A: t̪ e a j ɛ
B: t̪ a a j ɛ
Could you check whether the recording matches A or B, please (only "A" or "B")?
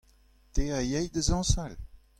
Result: A